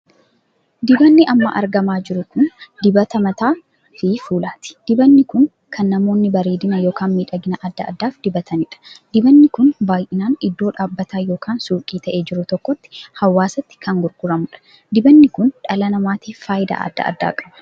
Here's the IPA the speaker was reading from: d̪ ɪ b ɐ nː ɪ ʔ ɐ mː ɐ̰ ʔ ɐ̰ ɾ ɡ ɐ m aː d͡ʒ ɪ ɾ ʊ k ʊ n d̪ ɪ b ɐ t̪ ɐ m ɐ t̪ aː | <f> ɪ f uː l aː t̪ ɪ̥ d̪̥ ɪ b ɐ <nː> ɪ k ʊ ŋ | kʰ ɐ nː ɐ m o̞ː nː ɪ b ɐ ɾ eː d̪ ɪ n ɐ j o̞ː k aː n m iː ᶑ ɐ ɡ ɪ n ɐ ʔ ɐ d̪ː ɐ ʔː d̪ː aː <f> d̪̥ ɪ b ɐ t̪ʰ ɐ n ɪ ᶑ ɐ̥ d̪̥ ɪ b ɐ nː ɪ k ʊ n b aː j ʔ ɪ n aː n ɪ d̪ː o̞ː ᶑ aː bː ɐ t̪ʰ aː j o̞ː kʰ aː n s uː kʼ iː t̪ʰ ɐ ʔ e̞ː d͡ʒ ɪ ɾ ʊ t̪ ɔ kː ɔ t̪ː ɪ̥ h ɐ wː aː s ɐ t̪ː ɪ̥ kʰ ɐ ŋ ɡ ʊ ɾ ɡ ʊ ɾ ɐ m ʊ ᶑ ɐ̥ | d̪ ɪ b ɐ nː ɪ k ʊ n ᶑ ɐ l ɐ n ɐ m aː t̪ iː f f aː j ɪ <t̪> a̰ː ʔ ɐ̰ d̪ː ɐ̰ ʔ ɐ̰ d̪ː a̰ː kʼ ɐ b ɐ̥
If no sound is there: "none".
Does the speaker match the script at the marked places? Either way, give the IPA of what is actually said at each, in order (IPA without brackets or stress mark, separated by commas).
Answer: f, nː, f, d̪